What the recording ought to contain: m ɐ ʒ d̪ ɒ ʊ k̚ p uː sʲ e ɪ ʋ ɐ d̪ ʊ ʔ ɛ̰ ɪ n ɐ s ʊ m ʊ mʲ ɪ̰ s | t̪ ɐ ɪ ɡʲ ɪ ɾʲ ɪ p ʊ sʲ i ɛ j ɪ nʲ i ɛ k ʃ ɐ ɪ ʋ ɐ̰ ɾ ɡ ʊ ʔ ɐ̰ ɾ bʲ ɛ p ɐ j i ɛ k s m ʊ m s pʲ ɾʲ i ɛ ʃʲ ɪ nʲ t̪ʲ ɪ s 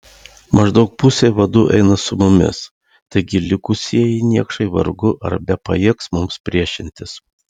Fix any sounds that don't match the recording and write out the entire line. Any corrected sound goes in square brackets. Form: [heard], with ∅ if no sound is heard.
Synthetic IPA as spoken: m ɐ ʒ d̪ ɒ ʊ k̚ p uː sʲ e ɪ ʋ ɐ d̪ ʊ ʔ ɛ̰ ɪ n ɐ s ʊ m ʊ mʲ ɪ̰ s | t̪ ɐ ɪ ɡʲ ɪ [lʲ] ɪ [k] ʊ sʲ i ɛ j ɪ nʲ i ɛ k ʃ ɐ ɪ ʋ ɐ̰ ɾ ɡ ʊ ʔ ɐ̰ ɾ bʲ ɛ p ɐ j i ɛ k s m ʊ m s pʲ ɾʲ i ɛ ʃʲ ɪ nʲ t̪ʲ ɪ s